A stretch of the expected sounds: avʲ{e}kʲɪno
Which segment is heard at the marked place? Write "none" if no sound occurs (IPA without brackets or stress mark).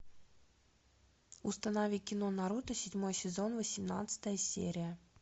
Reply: i